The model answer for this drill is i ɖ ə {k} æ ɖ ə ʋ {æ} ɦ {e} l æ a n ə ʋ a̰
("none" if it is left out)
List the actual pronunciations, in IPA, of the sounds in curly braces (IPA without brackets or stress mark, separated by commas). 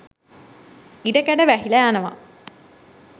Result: k, æ, i